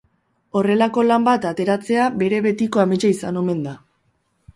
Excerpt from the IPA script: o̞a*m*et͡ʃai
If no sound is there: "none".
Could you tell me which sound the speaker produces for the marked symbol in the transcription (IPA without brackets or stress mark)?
m